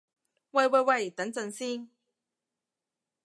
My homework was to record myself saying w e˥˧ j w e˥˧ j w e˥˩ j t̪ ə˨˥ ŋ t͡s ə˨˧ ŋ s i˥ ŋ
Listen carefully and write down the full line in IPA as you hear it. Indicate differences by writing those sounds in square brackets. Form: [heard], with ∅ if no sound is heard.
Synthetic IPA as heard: w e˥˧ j w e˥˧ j w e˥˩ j t̪ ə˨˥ ŋ t͡s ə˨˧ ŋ s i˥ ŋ

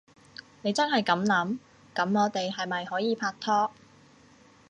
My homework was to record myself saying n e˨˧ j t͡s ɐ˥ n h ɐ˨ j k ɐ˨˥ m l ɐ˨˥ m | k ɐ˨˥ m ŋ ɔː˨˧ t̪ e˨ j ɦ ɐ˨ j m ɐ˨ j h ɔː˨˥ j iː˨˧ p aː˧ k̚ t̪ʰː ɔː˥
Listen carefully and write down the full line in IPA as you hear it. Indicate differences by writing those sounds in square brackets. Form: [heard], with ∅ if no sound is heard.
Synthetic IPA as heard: n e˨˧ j t͡s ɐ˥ n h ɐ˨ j k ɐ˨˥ m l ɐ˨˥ m | k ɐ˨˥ m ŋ ɔː˨˧ t̪ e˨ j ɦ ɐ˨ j m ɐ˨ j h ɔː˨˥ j iː˨˧ [pʰ] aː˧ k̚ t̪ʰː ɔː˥

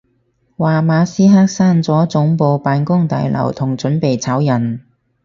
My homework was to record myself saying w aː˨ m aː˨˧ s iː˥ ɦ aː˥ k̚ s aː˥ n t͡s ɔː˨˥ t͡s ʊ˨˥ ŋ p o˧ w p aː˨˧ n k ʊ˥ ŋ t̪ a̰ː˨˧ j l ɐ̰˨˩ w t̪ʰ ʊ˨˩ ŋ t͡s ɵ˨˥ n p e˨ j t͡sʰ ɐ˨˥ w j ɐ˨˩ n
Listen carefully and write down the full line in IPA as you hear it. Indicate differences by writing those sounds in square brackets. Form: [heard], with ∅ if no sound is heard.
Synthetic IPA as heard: w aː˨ m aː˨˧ s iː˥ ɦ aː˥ k̚ s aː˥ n t͡s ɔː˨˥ t͡s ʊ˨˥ ŋ p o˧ w p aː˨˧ n k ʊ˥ ŋ t̪ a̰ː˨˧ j l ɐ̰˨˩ w t̪ʰ ʊ˨˩ ŋ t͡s ɵ˨˥ n p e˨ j t͡sʰ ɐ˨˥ w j ɐ˨˩ n

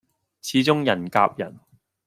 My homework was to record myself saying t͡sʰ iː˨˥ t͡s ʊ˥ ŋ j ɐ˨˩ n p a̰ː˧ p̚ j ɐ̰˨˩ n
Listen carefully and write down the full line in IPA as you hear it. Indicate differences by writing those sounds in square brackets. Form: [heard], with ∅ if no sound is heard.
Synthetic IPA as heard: t͡sʰ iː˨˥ t͡s ʊ˥ ŋ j ɐ˨˩ n [k] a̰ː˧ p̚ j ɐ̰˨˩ n

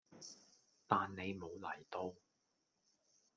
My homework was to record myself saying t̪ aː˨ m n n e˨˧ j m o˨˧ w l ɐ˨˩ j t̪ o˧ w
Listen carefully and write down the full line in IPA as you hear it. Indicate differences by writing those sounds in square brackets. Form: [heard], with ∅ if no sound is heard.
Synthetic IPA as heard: t̪ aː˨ [∅] n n e˨˧ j m o˨˧ w l ɐ˨˩ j t̪ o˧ w

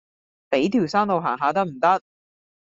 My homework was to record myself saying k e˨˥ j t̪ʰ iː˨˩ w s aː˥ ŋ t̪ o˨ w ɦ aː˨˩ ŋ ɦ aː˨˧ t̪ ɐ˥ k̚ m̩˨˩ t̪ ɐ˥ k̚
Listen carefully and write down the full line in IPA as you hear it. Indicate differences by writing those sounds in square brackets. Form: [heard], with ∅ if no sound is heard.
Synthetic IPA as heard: [p] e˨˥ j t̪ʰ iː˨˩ w s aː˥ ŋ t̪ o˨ w ɦ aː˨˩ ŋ ɦ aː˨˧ t̪ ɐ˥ k̚ m̩˨˩ t̪ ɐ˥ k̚

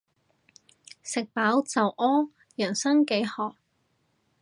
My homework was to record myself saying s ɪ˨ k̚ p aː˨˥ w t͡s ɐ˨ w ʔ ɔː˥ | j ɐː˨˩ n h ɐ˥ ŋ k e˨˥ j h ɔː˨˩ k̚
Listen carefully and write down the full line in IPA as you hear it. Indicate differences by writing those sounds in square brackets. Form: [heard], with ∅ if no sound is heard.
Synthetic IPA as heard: s ɪ˨ k̚ p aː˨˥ w t͡s ɐ˨ w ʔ ɔː˥ | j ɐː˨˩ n [s] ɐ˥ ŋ k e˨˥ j h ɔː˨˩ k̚

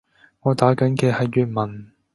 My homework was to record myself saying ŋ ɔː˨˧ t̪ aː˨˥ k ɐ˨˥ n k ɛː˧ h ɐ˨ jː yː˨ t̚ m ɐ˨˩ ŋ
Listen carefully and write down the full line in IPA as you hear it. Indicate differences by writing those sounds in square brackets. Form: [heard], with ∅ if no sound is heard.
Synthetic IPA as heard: ŋ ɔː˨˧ t̪ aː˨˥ k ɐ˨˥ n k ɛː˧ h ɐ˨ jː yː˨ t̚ m ɐ˨˩ [n]

